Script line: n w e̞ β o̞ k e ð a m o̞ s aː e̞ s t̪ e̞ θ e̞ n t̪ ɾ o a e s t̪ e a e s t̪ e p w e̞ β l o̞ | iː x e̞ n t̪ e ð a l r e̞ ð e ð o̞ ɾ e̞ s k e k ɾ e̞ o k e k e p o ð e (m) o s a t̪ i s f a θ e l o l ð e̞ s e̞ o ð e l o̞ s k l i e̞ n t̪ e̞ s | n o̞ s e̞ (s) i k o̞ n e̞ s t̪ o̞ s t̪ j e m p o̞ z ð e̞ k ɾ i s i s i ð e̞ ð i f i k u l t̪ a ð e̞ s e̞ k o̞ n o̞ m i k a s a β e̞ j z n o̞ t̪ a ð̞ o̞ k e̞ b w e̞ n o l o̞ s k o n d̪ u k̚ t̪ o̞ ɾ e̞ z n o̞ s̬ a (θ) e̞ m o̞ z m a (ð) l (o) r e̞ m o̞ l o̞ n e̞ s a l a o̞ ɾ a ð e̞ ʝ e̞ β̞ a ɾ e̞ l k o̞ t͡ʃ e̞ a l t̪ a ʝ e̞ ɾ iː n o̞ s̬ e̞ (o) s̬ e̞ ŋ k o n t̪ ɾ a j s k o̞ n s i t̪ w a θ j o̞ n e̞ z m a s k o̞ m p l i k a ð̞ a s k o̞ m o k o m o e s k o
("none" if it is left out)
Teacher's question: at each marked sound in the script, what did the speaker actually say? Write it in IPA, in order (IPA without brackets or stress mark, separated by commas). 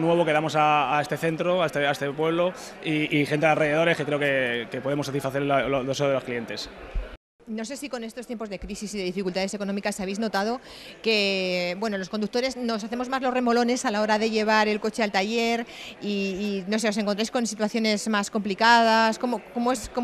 m, s, θ, z, o, o